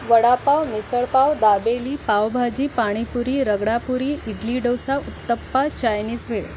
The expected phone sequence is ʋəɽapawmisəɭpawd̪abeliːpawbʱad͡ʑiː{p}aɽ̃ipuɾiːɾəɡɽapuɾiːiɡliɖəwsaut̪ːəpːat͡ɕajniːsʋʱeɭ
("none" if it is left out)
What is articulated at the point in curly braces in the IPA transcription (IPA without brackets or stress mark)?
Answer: p